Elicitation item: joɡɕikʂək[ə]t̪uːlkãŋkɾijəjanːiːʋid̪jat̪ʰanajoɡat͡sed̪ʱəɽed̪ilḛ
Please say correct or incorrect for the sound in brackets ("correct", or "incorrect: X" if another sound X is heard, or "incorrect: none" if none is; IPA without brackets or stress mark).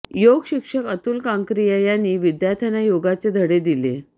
correct